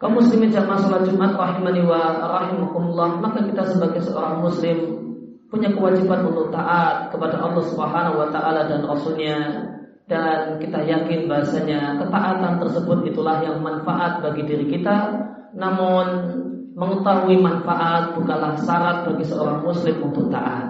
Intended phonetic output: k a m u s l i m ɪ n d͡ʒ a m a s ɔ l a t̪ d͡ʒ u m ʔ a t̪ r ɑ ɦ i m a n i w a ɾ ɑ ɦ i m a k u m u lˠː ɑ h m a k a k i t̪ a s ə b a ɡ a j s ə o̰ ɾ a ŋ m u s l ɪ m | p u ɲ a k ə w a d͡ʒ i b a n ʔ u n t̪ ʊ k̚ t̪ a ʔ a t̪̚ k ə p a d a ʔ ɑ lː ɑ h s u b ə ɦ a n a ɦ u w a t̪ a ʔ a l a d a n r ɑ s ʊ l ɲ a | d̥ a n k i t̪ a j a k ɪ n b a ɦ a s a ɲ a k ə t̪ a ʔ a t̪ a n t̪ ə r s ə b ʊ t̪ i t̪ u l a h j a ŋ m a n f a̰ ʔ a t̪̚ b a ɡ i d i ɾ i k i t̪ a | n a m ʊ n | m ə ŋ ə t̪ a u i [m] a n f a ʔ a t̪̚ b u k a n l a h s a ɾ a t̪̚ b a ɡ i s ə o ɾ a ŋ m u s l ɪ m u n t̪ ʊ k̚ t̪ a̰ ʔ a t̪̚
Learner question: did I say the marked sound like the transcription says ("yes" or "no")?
yes